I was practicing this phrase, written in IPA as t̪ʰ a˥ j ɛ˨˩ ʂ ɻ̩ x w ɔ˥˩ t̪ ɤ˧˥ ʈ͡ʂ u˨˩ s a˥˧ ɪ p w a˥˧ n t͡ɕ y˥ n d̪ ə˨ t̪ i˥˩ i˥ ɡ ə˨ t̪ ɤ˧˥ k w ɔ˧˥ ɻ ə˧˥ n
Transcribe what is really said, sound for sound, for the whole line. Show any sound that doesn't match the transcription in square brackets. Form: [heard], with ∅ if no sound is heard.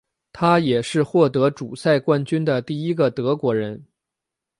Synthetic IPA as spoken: t̪ʰ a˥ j ɛ˨˩ ʂ ɻ̩ x w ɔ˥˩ t̪ ɤ˧˥ ʈ͡ʂ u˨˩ s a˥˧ ɪ [k] w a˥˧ n t͡ɕ y˥ n d̪ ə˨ t̪ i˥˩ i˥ ɡ ə˨ t̪ ɤ˧˥ k w ɔ˧˥ ɻ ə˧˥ n